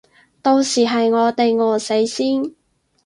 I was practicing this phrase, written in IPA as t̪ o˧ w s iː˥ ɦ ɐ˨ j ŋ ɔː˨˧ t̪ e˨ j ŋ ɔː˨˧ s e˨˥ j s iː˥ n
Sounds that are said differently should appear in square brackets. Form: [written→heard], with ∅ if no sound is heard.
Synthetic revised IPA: t̪ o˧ w s [iː˥→iː˨˩] ɦ ɐ˨ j ŋ ɔː˨˧ t̪ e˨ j ŋ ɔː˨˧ s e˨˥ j s iː˥ n